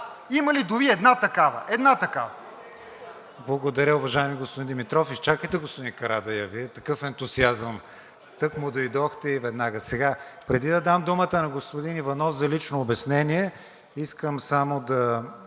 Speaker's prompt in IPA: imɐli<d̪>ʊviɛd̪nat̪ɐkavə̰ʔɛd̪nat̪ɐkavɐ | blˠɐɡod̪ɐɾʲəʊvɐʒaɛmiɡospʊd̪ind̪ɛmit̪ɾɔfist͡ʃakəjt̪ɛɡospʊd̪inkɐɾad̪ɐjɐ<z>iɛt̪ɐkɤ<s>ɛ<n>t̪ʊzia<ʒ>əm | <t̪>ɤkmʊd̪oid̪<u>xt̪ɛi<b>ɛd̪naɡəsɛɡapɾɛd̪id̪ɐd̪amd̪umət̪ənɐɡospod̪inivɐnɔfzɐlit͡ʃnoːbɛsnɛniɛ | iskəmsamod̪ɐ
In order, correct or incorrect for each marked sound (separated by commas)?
correct, incorrect, incorrect, correct, incorrect, correct, incorrect, incorrect